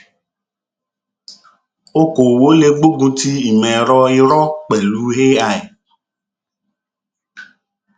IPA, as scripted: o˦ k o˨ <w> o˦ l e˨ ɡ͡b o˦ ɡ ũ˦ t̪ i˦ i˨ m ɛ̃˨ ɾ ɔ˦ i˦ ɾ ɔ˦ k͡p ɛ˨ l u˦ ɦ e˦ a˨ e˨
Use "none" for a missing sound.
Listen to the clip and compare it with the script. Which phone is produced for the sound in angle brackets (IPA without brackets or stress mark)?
w